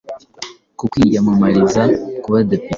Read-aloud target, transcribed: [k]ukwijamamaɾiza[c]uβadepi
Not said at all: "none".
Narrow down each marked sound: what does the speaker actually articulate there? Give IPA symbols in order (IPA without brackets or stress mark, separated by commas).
k, k